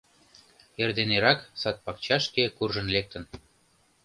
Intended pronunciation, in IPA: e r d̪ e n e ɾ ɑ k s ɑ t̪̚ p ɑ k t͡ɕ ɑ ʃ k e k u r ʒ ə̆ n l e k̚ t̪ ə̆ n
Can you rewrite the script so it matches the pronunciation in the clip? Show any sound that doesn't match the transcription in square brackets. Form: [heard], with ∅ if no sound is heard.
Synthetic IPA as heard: e r d̪ e n e ɾ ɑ k s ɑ t̪̚ p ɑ k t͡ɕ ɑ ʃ k e k u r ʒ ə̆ n l e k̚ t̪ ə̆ n

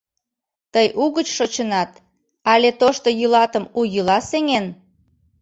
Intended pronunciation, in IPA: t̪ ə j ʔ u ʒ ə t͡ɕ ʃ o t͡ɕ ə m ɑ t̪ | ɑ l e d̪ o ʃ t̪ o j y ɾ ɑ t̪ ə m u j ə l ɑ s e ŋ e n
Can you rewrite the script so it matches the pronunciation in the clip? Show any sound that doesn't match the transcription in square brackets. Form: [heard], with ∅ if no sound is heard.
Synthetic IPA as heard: t̪ ə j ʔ u [ɣ] ə t͡ɕ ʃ o t͡ɕ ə [n] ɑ t̪ | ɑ l e [t̪] o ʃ t̪ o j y [l] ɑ t̪ ə m u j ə l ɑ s e ŋ e n

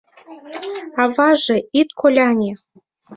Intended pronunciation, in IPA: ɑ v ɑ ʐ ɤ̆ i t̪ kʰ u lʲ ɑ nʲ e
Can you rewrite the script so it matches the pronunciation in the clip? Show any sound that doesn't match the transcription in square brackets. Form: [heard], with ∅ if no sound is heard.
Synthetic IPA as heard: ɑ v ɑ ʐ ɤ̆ i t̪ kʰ [o] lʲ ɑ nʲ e

